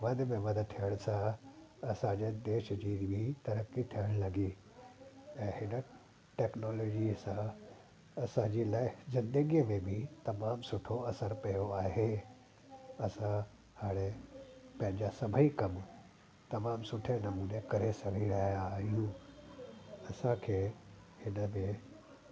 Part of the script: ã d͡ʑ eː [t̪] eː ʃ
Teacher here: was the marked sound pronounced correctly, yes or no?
no